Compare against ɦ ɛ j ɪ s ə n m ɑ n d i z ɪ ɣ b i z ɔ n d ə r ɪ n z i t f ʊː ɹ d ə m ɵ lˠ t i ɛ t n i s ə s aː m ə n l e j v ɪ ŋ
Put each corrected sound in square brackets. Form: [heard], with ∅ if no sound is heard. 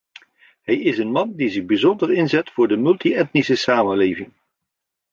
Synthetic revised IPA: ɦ ɛ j ɪ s ə n m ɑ n d i z ɪ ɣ b i z ɔ n d ə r ɪ n z [ɛ] t f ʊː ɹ d ə m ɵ lˠ t i ɛ t n i s ə s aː m ə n l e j v ɪ ŋ